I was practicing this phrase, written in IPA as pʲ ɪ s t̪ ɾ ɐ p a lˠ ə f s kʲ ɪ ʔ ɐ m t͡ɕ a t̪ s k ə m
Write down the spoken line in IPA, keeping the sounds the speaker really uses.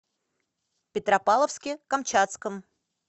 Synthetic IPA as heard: pʲ ɪ t̪ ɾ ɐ p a lˠ ə f s kʲ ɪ k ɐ m t͡ɕ a t̪ s k ə m